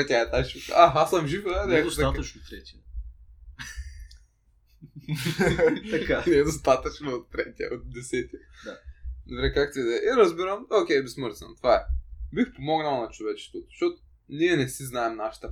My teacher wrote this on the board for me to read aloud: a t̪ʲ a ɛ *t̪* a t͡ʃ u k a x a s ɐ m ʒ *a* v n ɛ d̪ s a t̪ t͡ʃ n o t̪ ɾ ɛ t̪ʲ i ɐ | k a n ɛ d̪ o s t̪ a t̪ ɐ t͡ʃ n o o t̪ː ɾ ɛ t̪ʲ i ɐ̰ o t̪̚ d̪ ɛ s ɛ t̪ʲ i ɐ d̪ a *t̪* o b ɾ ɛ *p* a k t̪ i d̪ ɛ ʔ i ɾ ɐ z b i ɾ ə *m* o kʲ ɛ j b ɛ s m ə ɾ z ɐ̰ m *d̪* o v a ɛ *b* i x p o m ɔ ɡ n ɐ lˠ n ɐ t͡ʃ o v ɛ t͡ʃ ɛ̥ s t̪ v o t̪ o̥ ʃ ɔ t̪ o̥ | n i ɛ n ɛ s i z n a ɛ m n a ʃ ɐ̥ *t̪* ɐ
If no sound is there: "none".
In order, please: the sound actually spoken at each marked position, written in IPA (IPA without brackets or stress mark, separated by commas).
t̪, i, d̪, k, m, t̪, b, t̪